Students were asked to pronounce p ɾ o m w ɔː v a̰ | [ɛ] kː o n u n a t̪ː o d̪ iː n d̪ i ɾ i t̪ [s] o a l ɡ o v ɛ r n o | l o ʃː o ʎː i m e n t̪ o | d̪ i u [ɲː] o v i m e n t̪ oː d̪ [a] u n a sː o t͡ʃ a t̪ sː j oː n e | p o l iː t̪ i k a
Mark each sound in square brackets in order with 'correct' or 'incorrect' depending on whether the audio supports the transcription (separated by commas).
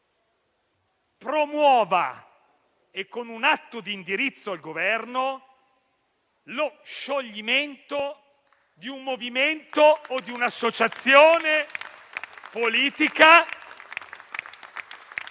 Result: incorrect, incorrect, incorrect, incorrect